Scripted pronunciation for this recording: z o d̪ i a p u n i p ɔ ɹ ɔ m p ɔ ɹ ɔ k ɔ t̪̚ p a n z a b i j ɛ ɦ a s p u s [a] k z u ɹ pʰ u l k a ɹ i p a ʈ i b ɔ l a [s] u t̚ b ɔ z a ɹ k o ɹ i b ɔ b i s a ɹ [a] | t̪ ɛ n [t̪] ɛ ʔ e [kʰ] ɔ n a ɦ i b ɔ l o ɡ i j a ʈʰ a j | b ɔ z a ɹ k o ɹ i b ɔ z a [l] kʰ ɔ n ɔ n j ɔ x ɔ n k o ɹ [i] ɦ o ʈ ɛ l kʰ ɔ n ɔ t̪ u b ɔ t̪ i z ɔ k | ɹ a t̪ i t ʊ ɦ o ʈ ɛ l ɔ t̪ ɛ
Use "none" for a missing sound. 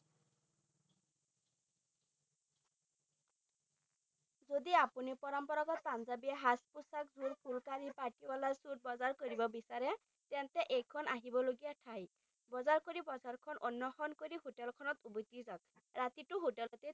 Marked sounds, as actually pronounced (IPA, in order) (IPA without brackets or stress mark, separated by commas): a, s, ɛ, t̪, kʰ, ɹ, i